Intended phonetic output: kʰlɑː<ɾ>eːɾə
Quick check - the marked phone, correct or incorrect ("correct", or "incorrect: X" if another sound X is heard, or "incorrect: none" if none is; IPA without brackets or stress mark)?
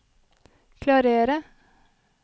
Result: correct